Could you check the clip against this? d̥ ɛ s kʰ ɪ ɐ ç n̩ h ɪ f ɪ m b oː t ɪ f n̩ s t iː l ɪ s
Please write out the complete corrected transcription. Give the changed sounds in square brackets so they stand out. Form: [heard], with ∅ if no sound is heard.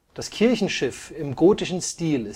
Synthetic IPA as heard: d̥ [a] s kʰ ɪ ɐ ç n̩ [ʃ] ɪ f ɪ m [ɡ] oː t ɪ [ʃ] n̩ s t iː l ɪ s